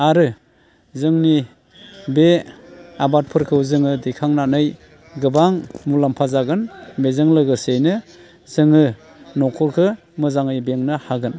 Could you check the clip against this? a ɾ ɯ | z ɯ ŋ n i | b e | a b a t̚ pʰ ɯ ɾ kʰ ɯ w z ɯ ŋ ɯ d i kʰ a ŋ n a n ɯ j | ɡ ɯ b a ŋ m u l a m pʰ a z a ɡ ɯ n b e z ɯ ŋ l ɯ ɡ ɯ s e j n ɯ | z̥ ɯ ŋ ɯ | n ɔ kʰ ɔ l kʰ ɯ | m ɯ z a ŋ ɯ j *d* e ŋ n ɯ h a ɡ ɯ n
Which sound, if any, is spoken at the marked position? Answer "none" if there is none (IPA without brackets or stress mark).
b